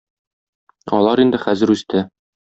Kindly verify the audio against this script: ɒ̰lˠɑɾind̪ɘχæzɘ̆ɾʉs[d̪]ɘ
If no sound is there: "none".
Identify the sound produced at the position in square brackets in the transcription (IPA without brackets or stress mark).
t̪